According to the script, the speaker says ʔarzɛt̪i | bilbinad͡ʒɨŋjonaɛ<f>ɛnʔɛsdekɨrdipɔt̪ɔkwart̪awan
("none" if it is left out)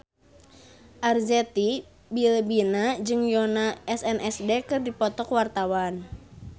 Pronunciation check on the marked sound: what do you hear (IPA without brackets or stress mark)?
s